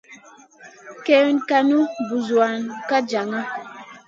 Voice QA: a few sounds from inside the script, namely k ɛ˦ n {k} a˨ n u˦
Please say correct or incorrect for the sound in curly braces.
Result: correct